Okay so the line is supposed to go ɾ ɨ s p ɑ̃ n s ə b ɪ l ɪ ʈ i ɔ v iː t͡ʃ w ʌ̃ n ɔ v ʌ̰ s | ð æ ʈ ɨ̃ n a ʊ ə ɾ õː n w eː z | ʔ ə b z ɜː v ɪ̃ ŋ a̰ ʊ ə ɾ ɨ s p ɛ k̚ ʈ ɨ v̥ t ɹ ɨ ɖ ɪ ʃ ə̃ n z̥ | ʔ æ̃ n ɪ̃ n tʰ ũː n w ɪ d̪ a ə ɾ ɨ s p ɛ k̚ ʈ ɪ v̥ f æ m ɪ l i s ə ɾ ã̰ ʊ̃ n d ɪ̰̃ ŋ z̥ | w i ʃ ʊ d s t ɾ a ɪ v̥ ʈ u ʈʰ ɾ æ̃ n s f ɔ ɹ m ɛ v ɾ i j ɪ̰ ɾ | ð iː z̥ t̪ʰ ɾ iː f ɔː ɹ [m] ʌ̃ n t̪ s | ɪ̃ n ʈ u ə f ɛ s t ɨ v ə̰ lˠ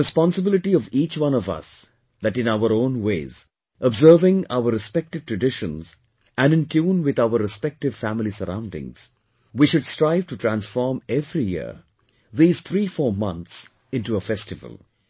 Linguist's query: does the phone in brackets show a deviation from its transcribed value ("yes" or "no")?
no